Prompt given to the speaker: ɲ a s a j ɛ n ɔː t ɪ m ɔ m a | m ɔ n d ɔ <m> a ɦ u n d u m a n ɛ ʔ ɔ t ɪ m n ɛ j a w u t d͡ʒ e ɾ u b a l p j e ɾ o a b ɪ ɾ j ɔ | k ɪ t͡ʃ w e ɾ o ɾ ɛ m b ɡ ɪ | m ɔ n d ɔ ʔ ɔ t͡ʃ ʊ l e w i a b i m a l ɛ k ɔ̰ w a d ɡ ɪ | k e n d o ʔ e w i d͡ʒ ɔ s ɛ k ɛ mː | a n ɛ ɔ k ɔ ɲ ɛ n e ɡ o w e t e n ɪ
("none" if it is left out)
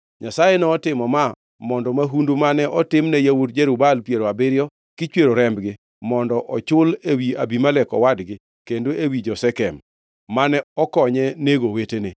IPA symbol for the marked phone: m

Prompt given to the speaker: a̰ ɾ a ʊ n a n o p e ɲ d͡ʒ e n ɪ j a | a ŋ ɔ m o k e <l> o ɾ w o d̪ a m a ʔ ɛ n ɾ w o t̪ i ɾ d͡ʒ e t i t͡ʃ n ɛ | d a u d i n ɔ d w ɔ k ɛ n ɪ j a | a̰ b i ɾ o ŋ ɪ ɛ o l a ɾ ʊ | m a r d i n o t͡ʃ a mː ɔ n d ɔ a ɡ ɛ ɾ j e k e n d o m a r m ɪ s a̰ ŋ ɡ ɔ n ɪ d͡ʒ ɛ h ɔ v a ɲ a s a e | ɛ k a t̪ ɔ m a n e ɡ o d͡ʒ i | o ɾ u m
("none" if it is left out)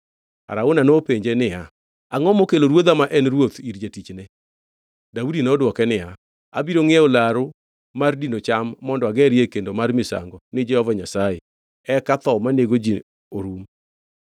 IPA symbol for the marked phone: l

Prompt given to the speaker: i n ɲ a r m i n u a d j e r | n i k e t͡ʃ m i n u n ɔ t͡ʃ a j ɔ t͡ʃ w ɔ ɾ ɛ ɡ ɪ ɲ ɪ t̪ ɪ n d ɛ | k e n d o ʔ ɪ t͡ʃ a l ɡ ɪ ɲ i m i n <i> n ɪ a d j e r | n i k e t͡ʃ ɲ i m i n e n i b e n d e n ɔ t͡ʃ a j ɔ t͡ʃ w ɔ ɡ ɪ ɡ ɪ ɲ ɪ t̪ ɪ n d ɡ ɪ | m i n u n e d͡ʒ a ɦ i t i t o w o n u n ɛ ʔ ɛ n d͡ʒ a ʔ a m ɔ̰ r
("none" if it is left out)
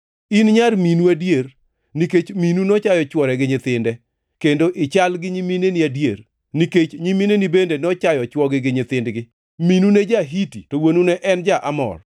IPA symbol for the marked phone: e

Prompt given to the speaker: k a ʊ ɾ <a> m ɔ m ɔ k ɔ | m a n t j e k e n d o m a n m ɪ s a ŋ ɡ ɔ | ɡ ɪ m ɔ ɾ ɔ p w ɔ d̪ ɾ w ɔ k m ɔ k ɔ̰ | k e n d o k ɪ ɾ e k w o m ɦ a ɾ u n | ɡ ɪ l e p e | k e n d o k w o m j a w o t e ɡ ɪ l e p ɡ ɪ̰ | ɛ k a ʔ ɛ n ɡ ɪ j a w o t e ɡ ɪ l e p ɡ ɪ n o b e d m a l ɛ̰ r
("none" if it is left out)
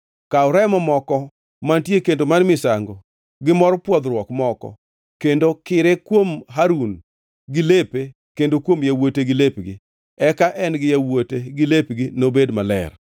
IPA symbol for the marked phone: ɛ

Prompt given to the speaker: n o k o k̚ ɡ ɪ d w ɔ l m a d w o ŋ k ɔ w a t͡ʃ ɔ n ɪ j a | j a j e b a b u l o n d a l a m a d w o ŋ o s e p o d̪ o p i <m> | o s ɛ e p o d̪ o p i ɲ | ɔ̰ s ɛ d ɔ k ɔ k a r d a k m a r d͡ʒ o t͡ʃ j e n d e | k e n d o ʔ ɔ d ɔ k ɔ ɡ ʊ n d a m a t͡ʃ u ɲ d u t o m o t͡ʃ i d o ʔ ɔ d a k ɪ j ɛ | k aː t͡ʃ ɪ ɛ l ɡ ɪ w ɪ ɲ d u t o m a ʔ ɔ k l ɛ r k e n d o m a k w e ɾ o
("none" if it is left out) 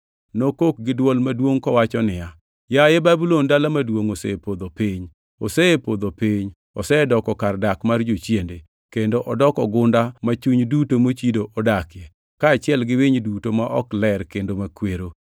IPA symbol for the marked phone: ɲ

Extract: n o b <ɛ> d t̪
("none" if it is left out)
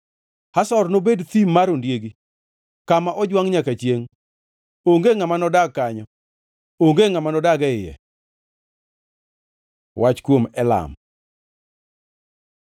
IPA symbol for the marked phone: e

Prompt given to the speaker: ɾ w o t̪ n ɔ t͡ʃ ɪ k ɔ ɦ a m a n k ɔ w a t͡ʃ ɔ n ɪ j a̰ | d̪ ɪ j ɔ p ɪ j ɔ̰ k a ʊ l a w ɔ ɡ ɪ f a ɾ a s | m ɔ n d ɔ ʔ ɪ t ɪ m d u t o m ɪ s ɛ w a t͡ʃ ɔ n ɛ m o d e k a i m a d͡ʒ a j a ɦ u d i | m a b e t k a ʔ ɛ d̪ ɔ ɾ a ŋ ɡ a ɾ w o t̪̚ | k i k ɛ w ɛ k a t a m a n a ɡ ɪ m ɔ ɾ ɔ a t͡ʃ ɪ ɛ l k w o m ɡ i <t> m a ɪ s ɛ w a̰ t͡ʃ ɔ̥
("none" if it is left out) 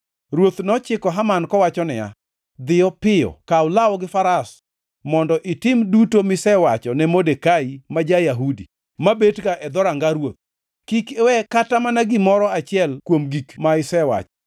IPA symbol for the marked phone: k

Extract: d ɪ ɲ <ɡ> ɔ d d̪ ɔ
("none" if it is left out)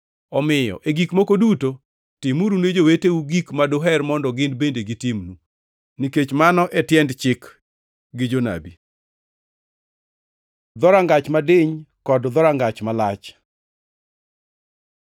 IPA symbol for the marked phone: k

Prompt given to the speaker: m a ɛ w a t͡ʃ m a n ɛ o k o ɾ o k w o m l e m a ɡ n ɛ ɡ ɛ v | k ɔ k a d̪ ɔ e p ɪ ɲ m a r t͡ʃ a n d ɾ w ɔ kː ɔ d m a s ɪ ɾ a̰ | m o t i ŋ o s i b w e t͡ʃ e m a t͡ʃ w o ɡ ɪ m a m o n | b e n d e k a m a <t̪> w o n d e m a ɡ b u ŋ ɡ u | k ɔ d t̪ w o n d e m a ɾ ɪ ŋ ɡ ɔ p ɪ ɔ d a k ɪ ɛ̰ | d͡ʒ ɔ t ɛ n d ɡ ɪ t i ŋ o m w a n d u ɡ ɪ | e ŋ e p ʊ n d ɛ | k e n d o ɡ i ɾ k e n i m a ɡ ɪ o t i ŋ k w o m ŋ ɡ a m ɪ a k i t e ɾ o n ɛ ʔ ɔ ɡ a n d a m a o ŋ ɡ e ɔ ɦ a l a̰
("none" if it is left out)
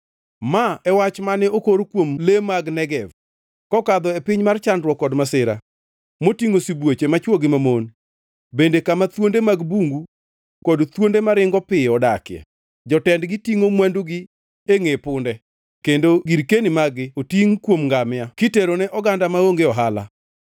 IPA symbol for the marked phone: t̪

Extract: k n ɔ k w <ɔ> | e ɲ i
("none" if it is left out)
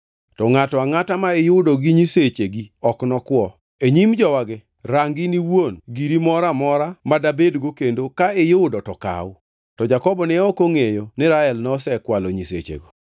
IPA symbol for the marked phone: ɔ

